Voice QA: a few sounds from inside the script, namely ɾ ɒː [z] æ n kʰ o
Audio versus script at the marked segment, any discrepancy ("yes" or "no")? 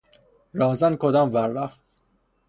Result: no